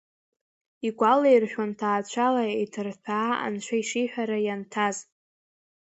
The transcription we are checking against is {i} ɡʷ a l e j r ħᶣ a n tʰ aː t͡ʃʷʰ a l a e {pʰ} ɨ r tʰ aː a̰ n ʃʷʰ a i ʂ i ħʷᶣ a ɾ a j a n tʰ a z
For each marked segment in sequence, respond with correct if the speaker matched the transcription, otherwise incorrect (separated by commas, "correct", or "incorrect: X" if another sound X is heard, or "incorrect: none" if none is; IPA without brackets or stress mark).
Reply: correct, incorrect: tʰ